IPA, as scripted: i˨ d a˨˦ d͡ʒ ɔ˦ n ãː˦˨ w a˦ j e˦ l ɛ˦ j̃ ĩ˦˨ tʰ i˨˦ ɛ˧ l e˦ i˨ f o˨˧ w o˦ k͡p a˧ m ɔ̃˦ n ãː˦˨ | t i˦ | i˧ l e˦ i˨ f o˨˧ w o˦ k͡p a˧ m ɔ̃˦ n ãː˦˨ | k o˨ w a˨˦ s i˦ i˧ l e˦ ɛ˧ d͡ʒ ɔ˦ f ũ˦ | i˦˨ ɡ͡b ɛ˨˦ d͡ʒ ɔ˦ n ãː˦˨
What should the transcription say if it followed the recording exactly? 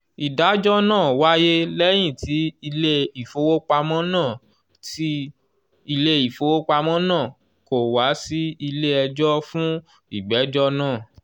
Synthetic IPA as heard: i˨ d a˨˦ d͡ʒ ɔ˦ n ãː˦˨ w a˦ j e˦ l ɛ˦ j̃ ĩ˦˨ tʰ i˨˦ i˧ l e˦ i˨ f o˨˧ w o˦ k͡p a˧ m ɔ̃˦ n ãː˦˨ | t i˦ | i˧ l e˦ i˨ f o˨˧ w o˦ k͡p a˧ m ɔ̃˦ n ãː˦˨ | k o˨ w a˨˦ s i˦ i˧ l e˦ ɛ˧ d͡ʒ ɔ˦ f ũ˦ | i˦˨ ɡ͡b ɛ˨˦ d͡ʒ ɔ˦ n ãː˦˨